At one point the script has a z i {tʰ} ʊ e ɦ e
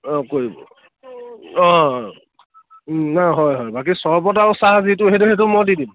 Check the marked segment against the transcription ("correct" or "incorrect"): incorrect